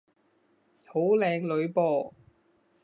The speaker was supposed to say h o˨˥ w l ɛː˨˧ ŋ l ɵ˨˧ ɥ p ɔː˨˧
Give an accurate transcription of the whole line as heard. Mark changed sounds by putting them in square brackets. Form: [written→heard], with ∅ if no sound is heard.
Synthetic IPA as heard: h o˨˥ w l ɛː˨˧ ŋ l ɵ˨˧ ɥ p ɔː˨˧

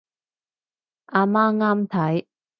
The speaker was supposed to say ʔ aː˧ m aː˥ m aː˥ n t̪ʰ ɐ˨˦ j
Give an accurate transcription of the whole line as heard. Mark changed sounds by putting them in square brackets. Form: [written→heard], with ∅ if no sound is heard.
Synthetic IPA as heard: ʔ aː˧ m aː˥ [m→ŋ] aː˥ [n→m] t̪ʰ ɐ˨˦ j

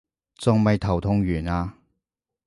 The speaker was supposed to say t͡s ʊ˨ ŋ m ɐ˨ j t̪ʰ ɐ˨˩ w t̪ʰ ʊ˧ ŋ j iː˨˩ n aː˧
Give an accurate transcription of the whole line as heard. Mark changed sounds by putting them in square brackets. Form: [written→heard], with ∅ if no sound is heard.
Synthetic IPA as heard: t͡s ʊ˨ ŋ m ɐ˨ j t̪ʰ ɐ˨˩ w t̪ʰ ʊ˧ ŋ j [iː˨˩→yː˨˩] n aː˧

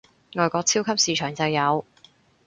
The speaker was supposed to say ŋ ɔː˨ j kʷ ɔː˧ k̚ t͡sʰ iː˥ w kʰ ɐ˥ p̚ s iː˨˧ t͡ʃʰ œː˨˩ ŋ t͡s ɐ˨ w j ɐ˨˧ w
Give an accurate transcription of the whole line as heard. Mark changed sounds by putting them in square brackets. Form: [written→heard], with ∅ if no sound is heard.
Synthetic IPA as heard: ŋ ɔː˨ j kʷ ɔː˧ k̚ t͡sʰ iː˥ w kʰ ɐ˥ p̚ s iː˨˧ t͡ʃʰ œː˨˩ ŋ t͡s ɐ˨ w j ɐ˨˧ w

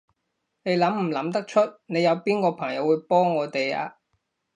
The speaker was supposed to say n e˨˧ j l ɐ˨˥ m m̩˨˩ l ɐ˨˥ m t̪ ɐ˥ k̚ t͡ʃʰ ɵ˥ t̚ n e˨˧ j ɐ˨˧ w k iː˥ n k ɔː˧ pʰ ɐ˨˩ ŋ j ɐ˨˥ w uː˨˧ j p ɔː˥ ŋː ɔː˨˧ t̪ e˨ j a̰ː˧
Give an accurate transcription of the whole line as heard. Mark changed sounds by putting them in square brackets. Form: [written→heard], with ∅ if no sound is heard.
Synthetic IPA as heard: n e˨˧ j l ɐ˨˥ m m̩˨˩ l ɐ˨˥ m t̪ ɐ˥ k̚ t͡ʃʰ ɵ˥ t̚ n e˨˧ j ɐ˨˧ w [k→p] iː˥ n k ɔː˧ pʰ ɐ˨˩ ŋ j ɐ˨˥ w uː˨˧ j p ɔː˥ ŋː ɔː˨˧ t̪ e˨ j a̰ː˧

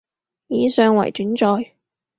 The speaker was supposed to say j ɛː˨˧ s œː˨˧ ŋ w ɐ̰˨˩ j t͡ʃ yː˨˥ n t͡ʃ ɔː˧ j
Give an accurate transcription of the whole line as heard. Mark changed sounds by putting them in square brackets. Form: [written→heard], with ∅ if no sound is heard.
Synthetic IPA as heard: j [ɛː˨˧→iː˨˧] s œː˨˧ ŋ w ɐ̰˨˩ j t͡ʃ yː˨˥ n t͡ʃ ɔː˧ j

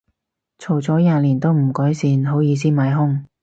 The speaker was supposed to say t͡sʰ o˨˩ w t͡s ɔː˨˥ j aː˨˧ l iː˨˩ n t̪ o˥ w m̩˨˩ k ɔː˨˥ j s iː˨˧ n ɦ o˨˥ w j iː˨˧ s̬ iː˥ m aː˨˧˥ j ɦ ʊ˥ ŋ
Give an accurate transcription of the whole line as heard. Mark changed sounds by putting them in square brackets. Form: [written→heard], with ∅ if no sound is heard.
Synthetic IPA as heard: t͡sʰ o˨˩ w t͡s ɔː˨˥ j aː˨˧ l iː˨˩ n t̪ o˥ w m̩˨˩ k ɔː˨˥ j s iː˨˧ n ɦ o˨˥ w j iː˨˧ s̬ iː˥ m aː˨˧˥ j ɦ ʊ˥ ŋ

